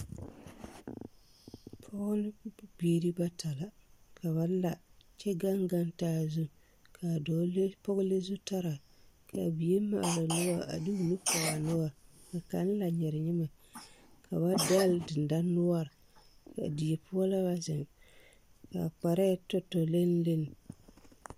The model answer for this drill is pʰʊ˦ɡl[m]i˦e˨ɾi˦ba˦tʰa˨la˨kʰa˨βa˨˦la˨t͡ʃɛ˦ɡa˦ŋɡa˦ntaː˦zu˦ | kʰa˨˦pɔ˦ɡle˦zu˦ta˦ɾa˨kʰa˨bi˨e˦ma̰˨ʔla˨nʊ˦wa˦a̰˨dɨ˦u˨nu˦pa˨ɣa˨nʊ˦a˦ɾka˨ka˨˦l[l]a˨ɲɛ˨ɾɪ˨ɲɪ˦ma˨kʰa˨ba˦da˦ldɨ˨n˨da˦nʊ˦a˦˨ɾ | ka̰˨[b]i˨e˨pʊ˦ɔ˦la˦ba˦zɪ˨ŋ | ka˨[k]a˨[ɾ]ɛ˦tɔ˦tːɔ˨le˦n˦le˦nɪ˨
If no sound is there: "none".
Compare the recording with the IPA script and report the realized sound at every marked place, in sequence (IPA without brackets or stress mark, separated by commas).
b, l, d, k͡p, ɾ